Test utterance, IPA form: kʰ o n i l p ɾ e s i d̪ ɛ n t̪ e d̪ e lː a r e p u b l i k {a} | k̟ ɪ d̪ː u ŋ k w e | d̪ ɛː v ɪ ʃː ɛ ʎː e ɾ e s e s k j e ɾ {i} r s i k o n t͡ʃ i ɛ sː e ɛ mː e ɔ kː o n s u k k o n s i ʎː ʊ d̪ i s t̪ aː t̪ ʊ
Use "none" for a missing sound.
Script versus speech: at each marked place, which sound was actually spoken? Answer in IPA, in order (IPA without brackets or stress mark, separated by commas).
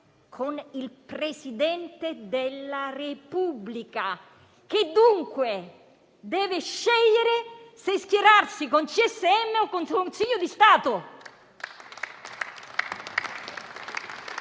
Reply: a, a